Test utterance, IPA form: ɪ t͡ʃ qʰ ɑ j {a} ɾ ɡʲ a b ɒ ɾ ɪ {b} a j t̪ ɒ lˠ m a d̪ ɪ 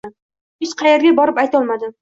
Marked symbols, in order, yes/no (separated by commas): no, no